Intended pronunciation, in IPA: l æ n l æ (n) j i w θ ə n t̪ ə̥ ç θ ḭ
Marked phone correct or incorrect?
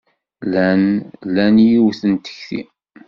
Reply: correct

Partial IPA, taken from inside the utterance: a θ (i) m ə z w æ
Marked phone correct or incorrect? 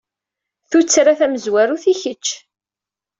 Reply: incorrect: æ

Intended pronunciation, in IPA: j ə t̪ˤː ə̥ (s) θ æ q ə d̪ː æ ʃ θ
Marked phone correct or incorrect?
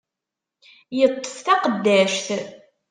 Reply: incorrect: f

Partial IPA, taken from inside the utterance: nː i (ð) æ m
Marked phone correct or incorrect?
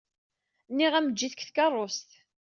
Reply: incorrect: ʁ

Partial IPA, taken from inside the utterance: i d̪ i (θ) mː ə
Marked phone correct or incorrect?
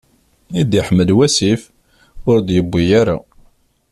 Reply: incorrect: ħ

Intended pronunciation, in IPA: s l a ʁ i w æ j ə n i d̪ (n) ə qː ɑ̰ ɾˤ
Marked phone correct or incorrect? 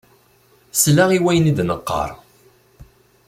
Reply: correct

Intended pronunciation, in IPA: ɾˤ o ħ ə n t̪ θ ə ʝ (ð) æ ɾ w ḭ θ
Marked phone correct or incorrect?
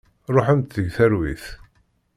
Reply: incorrect: θ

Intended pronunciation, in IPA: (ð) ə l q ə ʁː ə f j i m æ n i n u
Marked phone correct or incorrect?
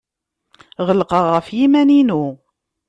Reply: incorrect: ʁ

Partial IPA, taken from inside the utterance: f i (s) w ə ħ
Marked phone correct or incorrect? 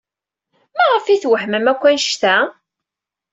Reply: incorrect: θ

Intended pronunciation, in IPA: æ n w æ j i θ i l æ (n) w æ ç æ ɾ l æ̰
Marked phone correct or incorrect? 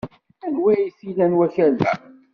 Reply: correct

